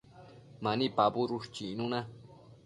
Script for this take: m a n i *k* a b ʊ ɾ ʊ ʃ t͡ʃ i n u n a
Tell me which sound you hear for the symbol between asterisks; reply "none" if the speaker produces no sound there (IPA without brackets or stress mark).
p